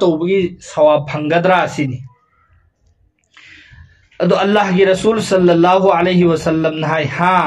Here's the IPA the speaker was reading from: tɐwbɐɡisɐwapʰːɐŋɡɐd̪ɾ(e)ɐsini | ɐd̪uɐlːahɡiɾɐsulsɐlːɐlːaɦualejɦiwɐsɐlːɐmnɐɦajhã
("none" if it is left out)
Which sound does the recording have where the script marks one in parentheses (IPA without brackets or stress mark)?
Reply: a